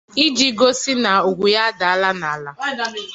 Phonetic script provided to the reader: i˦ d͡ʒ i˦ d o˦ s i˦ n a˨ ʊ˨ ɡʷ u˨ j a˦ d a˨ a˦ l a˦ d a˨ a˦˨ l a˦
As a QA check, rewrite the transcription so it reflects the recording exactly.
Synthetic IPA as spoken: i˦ d͡ʒ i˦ ɡ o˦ s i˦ n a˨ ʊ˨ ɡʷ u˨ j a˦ d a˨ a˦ l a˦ n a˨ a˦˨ l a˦